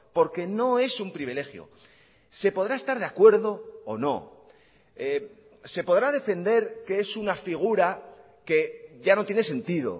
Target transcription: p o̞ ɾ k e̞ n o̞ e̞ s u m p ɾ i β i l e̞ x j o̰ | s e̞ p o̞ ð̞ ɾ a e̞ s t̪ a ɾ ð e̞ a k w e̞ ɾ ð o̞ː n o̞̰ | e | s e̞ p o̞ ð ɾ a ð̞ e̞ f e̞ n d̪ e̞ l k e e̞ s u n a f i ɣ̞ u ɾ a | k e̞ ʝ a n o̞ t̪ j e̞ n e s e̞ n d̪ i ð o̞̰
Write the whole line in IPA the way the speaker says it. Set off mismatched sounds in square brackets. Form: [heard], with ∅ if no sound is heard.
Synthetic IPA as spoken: p o̞ ɾ k e̞ n o̞ e̞ s u m p ɾ i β i l e̞ x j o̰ | s e̞ p o̞ ð̞ ɾ a e̞ s t̪ a ɾ ð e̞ a k w e̞ ɾ ð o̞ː n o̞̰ | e | s e̞ p o̞ ð ɾ a ð̞ e̞ f e̞ n d̪ e̞ [ɾ] k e e̞ s u n a f i ɣ̞ u ɾ a | k e̞ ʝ a n o̞ t̪ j e̞ n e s e̞ n [t̪] i ð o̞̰